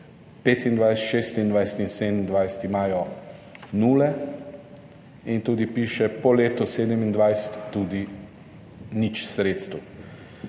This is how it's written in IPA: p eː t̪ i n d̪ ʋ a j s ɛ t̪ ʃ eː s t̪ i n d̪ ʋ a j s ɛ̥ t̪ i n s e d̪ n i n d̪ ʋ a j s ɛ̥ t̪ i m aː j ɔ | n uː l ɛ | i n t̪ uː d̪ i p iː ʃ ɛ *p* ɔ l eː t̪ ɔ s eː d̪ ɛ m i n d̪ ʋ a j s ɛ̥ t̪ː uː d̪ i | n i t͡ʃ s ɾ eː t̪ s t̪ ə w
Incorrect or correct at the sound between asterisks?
correct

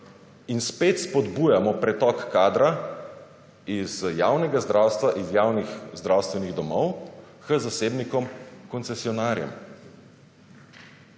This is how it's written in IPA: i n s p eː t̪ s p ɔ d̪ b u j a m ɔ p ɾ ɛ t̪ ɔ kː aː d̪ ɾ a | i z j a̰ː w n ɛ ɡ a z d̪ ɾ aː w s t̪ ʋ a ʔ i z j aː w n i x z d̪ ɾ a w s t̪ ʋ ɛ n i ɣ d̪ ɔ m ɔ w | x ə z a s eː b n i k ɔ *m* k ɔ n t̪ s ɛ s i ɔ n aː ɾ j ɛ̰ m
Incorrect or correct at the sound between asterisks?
correct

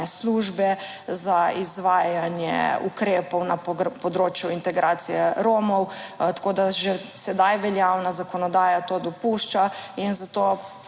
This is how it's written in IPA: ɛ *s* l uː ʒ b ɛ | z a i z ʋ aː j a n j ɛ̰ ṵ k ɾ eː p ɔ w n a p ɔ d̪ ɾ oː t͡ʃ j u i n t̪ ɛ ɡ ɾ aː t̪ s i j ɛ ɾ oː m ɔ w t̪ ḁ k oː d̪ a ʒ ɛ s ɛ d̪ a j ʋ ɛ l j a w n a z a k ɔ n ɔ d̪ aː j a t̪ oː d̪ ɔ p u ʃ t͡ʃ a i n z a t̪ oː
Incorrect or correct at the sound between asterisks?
correct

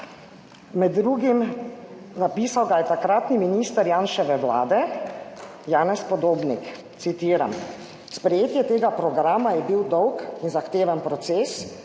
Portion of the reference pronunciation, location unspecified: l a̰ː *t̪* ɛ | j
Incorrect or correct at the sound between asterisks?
incorrect: d̪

